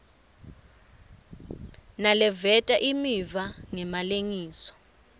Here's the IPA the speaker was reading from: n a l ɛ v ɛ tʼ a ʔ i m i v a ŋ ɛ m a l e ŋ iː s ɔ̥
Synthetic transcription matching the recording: n a l ɛ v ɛ tʼ a ʔ i m i v a ŋ ɛ m a l e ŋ iː s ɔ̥